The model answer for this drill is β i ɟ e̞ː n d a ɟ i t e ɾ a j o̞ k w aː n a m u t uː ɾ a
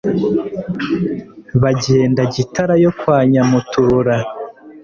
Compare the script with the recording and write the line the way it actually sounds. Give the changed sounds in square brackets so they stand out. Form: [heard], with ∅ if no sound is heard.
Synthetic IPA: β [a] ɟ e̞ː n d a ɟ i t [a] ɾ a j o̞ k w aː [ɲ] a m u t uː ɾ a

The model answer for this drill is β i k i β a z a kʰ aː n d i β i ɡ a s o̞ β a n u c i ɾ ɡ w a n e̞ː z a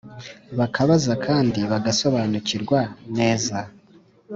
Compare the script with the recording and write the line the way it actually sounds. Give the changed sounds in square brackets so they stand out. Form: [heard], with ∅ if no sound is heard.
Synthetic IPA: β [a] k [a] β a z a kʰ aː n d i β [a] ɡ a s o̞ β a n u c i ɾ ɡ w a n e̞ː z a

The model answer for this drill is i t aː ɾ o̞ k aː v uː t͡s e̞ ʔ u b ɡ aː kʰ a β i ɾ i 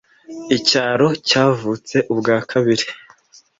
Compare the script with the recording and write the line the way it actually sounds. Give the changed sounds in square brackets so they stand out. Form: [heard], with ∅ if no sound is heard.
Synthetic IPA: i [c] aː ɾ o̞ [c] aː v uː t͡s e̞ ʔ u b ɡ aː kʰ a β i ɾ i

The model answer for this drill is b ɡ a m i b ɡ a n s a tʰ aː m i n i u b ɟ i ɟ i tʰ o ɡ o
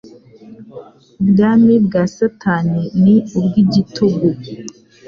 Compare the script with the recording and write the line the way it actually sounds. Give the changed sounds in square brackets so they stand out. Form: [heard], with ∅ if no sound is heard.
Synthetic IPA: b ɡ a m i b ɡ a [∅] s a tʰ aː [n] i n i u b [ɡ] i ɟ i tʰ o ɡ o

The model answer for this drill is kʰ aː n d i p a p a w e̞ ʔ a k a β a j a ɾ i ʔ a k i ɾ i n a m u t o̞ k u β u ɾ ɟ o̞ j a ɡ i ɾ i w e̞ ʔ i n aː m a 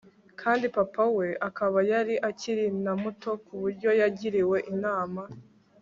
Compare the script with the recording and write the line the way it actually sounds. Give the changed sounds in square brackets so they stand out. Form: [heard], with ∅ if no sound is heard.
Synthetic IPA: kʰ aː n d i p a p a w e̞ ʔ a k a β a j a ɾ i ʔ a [c] i ɾ i n a m u t o̞ k u β u ɾ ɟ o̞ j a [ɟ] i ɾ i w e̞ ʔ i n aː m a

